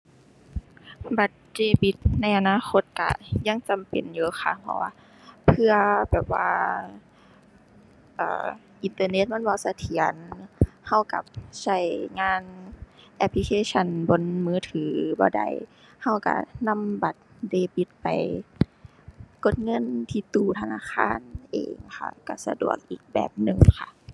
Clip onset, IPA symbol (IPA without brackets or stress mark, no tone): b